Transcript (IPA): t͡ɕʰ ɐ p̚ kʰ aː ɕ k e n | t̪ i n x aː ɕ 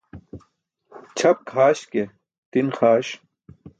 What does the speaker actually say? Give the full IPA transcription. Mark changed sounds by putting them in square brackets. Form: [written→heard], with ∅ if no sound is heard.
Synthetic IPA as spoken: t͡ɕʰ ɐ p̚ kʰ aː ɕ k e [n→∅] | t̪ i n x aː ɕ